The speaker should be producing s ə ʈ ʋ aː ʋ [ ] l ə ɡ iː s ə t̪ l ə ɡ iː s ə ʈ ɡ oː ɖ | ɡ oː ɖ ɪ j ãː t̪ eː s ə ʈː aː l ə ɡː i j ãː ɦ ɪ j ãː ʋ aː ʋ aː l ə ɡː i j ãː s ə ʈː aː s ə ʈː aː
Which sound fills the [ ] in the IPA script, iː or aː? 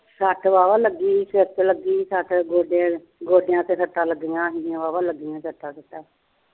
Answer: aː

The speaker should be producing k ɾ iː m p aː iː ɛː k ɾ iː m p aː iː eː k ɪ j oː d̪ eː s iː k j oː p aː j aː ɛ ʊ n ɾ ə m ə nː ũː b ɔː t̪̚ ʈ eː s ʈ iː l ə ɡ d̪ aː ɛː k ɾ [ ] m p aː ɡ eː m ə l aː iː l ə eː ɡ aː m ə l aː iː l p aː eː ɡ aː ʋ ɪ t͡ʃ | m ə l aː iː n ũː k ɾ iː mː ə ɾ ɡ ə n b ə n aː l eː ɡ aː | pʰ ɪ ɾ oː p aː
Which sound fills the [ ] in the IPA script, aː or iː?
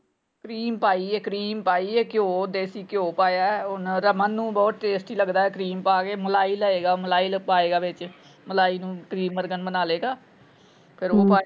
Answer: iː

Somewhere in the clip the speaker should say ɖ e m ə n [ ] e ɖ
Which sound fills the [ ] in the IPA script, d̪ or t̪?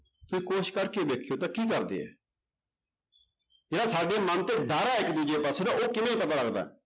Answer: t̪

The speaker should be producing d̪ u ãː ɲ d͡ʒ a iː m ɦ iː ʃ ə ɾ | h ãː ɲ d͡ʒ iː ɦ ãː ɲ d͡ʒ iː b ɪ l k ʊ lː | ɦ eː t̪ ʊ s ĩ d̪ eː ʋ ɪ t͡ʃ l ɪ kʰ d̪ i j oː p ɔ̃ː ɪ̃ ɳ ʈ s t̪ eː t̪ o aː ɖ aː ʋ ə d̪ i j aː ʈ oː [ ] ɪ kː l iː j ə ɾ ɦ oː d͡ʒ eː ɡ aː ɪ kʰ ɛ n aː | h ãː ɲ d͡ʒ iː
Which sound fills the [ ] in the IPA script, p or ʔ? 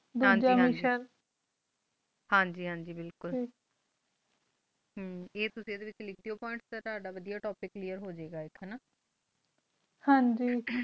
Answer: p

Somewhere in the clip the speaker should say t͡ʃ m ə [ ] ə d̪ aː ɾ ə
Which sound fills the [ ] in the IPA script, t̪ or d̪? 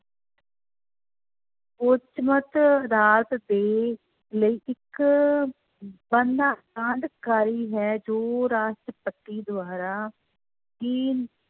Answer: t̪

